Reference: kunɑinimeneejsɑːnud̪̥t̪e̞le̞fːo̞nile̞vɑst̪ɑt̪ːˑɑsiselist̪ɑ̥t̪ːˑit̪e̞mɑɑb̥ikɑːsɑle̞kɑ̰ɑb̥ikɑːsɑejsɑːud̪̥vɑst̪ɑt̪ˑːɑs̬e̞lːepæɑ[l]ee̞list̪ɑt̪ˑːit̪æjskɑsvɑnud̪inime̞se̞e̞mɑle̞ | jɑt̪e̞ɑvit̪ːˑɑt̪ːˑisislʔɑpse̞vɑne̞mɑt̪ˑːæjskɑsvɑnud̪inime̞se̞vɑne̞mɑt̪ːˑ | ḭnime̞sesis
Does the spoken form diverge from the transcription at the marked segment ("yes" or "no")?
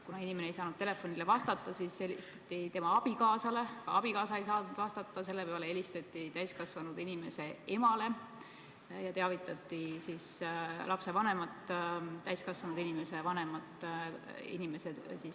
no